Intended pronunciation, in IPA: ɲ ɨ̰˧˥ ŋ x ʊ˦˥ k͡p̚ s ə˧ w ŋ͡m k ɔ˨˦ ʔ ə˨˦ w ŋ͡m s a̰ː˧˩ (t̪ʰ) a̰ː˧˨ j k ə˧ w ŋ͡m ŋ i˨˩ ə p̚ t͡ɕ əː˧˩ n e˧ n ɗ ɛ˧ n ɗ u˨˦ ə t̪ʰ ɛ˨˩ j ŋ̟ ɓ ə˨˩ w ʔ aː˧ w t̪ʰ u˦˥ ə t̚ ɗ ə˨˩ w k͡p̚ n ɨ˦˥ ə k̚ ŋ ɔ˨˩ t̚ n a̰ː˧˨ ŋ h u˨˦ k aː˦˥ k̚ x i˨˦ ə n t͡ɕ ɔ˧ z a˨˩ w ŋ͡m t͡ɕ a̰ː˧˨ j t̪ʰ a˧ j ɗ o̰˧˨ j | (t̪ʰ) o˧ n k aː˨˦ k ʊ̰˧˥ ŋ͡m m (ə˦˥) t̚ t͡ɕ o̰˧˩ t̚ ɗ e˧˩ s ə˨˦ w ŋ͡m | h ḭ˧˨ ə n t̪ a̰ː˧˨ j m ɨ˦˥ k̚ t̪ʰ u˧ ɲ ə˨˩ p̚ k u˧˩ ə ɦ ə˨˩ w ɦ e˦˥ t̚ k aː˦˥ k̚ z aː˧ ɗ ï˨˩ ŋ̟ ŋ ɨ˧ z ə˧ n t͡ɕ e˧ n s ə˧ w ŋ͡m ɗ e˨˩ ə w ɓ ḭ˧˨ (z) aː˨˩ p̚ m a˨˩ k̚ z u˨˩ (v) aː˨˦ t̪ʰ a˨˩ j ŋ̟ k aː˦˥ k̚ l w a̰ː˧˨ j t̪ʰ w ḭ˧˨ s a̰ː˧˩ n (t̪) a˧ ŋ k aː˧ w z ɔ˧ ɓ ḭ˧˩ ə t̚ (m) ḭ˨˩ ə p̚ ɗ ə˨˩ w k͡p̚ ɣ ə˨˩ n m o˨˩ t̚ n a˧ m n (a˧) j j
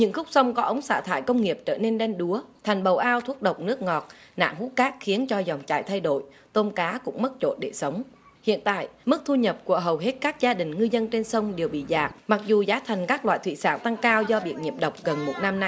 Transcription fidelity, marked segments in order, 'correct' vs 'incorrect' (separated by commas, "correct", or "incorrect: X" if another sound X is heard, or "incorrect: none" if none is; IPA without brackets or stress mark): correct, incorrect: t̪, correct, correct, incorrect: z, correct, incorrect: ɲ, correct